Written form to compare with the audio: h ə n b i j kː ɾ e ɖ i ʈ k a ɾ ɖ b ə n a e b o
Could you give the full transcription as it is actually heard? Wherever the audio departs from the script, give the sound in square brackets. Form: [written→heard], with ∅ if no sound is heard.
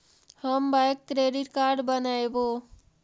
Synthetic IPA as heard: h ə [n→m] b [i→a] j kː ɾ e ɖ i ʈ k a ɾ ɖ b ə n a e b o